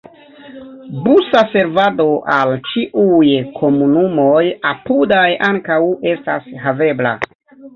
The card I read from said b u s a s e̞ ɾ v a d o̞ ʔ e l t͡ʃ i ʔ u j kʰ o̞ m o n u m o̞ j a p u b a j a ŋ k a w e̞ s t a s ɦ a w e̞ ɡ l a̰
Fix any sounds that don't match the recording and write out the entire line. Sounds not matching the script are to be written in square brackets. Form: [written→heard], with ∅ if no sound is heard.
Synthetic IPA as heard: b u s a s e̞ ɾ v a d o̞ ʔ [e→a] l t͡ʃ i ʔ u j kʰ o̞ m [o→u] n u m o̞ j a p u [b→d] a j a ŋ k a w e̞ s t a s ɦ a [w→v] e̞ [ɡ→b] l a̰